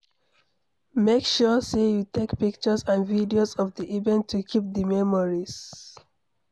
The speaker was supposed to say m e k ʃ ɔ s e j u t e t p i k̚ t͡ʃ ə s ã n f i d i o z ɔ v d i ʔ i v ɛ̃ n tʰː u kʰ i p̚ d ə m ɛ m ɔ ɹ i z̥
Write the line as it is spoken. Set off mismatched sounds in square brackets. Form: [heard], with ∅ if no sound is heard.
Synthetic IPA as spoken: m e k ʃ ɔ s e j u t e [k] p i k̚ t͡ʃ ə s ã n [v] i d i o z ɔ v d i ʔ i v ɛ̃ n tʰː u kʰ i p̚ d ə m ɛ m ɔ ɹ i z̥